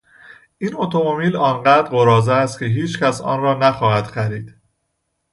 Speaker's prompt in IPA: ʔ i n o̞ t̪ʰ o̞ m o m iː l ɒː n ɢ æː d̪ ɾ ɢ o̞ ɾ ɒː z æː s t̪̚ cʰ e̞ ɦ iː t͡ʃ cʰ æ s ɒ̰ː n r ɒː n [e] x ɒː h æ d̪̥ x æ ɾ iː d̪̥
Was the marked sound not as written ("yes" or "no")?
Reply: yes